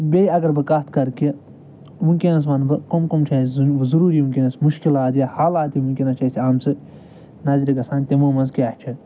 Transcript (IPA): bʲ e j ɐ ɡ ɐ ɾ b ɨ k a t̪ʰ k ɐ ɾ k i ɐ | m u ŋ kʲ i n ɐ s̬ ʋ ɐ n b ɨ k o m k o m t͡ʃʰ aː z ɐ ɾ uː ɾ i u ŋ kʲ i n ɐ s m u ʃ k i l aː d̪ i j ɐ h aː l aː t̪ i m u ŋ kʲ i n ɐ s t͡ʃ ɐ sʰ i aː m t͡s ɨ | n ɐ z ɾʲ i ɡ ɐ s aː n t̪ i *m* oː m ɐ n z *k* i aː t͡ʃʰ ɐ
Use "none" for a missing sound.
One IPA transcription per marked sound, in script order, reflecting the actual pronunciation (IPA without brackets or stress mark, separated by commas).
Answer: m, k